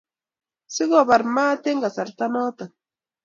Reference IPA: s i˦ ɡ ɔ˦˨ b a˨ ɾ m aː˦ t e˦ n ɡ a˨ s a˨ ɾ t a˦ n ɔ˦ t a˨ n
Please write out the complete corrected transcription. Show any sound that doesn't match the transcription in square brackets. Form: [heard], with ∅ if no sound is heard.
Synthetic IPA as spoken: s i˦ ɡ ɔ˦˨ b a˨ ɾ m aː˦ t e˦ [ŋ] ɡ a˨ s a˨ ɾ t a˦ n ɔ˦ t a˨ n